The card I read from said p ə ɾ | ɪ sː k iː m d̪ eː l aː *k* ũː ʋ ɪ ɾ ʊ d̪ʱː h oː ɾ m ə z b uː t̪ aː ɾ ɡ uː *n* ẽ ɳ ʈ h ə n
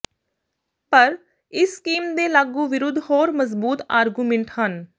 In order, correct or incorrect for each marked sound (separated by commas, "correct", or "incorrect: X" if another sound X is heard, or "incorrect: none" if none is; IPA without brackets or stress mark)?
incorrect: ɡ, incorrect: m